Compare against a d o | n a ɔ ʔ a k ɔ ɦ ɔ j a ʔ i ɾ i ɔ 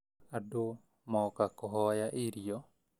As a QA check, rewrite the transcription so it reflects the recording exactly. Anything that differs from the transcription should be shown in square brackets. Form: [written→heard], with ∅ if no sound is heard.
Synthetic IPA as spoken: a d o | [n→m] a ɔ [ʔ→k] a k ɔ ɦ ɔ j a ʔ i ɾ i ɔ